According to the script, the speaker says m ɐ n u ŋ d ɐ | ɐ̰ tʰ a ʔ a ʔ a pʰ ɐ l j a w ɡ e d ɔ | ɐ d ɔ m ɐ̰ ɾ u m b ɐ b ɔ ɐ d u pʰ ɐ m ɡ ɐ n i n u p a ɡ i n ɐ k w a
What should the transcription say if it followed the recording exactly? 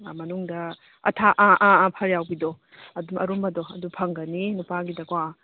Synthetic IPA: m ɐ n u ŋ d ɐ | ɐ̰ tʰ a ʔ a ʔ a pʰ ɐ ɾ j a w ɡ i d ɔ | ɐ d u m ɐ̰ ɾ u m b ɐ d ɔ ɐ d u pʰ ɐ ŋ ɡ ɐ n i n u p a ɡ i d ɐ k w a